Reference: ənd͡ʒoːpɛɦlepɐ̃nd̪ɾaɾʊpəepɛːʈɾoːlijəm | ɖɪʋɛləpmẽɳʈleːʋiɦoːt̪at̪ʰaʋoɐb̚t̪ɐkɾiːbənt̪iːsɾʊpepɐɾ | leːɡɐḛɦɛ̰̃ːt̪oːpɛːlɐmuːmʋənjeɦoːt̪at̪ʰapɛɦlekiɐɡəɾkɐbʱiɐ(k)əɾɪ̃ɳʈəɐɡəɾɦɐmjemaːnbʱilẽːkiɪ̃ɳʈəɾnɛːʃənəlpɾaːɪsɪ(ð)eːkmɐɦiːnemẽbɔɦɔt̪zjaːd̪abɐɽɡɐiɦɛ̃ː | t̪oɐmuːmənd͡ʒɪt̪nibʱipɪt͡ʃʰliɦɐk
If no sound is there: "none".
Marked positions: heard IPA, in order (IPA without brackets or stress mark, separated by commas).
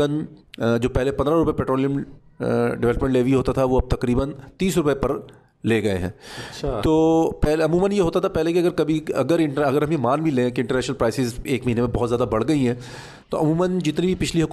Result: ɡ, z